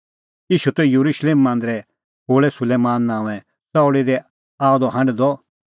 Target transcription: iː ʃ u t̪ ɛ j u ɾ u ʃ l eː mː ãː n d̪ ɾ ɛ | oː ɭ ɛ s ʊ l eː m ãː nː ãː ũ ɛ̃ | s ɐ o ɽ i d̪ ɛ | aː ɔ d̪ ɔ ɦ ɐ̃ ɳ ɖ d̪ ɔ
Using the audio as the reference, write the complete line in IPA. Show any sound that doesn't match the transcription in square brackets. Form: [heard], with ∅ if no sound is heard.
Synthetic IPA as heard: iː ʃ u t̪ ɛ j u ɾ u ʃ l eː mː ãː n d̪ ɾ ɛ | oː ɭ ɛ s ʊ l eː m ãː nː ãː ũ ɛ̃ | s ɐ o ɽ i d̪ ɛ | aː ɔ d̪ ɔ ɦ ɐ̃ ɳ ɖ d̪ ɔ